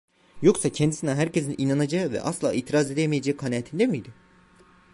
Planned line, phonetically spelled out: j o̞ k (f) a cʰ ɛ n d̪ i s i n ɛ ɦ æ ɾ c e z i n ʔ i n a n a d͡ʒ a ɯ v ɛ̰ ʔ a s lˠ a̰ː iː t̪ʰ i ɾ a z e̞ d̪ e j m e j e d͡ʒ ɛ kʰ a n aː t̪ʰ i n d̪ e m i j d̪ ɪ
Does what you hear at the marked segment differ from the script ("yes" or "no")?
yes